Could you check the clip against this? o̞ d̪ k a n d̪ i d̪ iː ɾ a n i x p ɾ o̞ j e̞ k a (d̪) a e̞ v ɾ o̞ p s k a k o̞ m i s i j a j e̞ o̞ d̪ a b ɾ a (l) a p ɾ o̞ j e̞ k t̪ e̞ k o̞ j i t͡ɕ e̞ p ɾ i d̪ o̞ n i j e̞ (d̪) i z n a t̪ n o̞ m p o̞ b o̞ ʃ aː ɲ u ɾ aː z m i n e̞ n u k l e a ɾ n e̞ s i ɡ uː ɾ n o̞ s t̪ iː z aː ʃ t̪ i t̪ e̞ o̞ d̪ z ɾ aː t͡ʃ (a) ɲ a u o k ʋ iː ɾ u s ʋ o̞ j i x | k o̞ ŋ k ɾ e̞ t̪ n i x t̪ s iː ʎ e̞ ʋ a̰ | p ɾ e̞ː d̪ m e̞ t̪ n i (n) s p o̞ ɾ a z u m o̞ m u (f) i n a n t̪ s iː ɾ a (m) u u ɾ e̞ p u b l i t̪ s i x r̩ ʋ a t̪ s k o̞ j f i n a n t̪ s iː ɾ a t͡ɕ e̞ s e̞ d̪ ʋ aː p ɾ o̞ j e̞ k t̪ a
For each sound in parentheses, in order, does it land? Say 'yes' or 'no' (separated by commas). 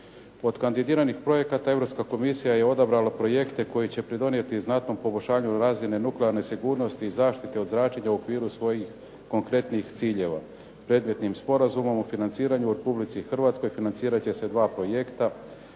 no, yes, no, no, no, yes, no